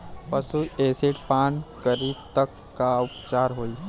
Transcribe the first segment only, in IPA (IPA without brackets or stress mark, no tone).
p